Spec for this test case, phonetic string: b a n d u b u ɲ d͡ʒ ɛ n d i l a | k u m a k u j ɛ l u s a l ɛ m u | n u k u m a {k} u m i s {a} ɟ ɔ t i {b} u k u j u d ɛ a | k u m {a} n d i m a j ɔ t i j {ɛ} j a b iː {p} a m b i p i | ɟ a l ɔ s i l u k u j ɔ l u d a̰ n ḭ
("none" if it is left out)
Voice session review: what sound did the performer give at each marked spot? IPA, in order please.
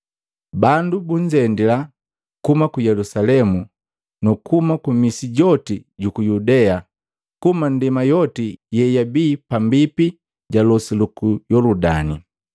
k, i, ɟ, a, ɛ, p

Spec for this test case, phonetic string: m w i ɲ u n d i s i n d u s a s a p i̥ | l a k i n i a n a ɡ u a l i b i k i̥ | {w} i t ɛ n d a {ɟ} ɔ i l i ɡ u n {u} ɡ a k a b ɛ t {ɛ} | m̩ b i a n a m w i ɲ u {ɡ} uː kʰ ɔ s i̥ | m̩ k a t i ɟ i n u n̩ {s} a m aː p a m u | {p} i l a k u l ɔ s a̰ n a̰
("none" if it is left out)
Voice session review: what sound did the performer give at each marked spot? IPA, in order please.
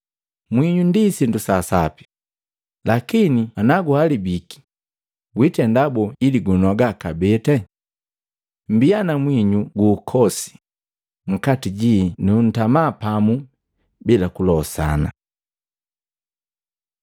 w, b, ɔ, ɛ, ɡ, t, b

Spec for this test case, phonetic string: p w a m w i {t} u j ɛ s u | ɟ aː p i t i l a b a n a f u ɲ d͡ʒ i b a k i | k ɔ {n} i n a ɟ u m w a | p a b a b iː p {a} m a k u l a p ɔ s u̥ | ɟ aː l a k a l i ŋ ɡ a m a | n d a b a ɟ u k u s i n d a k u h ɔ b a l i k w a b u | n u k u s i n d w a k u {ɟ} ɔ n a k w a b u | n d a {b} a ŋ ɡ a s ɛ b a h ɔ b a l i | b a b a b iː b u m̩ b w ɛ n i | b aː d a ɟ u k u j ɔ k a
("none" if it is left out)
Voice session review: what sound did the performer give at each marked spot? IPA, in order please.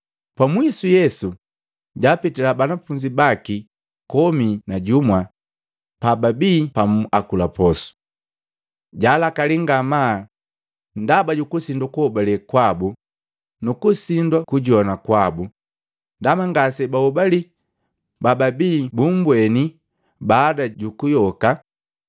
s, m, a, ɟ, m

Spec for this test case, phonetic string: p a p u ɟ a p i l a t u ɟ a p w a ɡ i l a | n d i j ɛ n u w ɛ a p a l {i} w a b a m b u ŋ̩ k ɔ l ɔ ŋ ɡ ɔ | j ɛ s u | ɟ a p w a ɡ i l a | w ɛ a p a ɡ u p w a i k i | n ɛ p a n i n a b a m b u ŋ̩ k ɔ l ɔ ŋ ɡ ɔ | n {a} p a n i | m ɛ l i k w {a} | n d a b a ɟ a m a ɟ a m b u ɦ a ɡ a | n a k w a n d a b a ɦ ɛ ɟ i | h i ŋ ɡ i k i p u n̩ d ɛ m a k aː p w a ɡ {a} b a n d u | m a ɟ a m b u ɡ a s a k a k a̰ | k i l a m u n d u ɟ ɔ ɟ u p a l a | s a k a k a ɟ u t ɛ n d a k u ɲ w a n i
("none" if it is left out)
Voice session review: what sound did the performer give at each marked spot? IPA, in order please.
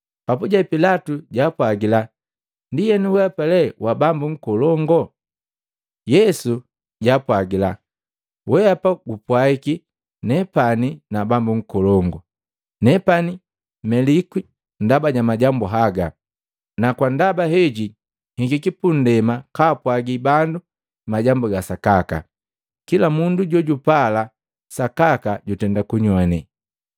ɛ, ɛ, i, i

